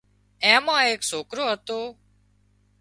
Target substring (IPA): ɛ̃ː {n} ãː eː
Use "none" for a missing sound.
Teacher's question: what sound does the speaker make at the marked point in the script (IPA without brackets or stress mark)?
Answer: m